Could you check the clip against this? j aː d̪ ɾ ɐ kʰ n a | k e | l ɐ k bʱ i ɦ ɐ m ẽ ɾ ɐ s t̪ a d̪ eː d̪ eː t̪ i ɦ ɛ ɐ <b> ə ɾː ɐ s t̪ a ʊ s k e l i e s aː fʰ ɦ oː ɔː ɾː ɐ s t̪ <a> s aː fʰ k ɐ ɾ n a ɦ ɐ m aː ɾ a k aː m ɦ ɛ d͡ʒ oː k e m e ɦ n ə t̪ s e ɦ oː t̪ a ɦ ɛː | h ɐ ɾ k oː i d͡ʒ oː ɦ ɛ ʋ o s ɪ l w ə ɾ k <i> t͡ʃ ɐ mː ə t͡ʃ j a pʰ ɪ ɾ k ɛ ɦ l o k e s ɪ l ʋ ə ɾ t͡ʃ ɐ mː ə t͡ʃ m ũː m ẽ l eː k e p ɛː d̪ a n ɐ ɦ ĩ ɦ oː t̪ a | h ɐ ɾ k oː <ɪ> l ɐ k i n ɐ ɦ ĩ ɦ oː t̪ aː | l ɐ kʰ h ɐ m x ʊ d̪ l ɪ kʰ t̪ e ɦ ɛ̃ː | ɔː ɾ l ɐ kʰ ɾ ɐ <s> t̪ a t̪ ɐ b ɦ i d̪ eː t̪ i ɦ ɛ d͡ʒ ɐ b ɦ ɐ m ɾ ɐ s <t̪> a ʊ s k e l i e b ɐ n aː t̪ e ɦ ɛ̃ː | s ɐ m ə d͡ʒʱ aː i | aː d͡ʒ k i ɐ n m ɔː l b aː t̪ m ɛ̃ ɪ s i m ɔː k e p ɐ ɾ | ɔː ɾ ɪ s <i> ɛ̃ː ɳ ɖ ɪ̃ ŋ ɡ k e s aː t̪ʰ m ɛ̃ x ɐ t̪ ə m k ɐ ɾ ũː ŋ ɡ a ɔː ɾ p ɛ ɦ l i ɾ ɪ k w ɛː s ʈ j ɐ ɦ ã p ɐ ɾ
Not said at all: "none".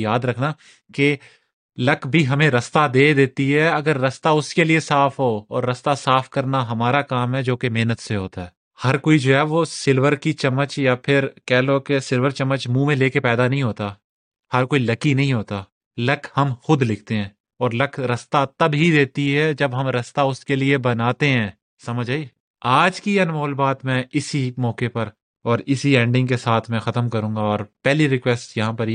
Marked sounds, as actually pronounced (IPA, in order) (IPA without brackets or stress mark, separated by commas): ɡ, a, i, i, s, t̪, i